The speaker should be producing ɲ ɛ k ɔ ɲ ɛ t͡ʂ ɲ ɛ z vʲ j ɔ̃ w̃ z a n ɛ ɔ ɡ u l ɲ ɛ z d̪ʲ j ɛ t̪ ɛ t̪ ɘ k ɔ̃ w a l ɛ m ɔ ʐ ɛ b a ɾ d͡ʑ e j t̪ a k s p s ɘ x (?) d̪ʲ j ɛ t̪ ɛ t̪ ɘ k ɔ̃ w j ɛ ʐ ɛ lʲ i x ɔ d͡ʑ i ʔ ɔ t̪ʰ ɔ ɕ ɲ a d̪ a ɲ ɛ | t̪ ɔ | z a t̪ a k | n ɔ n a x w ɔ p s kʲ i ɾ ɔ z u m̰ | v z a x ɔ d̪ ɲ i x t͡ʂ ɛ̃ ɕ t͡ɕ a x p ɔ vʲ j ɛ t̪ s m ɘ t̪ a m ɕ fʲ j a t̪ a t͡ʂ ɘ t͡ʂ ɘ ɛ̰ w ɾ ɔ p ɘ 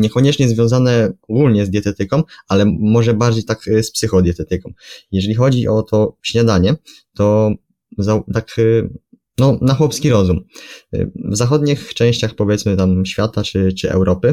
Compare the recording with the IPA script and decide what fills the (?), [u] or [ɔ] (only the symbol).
ɔ